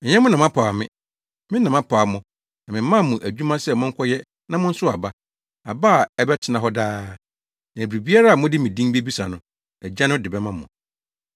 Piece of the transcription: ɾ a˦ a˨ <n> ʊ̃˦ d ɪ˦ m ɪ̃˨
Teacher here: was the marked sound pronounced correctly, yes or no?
no